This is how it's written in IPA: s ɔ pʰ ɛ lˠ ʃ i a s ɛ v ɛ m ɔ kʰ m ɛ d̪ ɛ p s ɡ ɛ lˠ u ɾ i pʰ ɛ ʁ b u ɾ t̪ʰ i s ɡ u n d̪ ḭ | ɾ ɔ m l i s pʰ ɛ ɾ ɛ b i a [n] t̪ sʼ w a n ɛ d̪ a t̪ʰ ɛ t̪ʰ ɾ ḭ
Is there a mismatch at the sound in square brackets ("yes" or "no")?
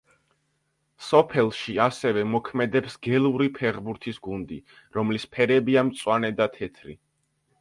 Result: yes